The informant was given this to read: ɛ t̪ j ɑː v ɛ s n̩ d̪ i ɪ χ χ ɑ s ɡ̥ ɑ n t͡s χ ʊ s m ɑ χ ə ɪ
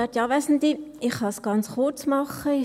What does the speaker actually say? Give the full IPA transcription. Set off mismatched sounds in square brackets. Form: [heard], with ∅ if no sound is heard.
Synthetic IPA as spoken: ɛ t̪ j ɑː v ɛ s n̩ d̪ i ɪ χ [h] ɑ s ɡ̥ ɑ n t͡s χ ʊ [t͡s] m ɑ χ ə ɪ